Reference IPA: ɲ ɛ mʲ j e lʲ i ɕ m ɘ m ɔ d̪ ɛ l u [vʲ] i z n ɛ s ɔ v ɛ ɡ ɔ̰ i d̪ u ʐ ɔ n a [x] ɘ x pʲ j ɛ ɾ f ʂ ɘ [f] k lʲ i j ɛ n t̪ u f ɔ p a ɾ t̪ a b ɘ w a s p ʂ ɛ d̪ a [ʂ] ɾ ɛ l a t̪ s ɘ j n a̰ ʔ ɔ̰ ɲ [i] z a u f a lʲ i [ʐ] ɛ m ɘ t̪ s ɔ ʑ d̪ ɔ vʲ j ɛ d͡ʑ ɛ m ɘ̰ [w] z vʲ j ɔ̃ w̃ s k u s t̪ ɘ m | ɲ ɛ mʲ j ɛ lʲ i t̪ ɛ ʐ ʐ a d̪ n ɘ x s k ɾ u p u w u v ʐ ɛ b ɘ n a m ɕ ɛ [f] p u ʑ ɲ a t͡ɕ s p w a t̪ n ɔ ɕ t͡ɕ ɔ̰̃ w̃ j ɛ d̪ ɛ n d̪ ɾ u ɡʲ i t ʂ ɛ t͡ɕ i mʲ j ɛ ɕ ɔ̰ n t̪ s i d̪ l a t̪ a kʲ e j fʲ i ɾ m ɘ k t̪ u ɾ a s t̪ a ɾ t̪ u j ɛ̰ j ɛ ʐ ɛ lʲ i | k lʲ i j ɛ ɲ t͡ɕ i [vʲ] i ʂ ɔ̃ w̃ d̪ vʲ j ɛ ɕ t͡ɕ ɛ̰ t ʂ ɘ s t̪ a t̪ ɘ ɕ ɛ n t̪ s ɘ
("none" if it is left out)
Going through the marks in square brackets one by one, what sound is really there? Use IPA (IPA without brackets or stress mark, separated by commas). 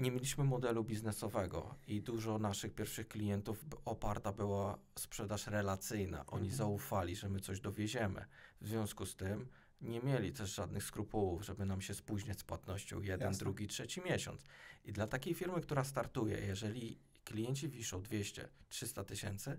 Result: bʲ, ʂ, x, ʂ, i, ʐ, v, s, vʲ